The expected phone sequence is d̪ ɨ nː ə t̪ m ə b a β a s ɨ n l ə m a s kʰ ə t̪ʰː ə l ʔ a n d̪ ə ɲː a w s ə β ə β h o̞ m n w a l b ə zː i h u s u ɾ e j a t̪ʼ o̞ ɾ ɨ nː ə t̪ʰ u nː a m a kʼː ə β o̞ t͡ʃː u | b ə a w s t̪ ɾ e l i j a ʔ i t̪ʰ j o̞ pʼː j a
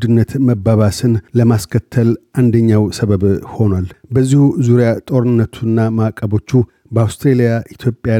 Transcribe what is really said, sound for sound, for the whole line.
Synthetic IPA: d̪ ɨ nː ə t̪ m ə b a β a s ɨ n l ə m a s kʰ ə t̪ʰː ə l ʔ a n d̪ ə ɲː a w s ə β ə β h o̞ n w a l b ə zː i h u z u ɾ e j a t̪ʼ o̞ ɾ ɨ nː ə t̪ʰ u nː a m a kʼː ə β o̞ t͡ʃː u | b ə a w s t̪ ɾ e l i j a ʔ i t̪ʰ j o̞ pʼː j a